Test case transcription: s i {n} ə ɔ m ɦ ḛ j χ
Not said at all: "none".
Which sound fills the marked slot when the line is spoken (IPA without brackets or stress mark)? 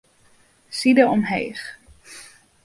d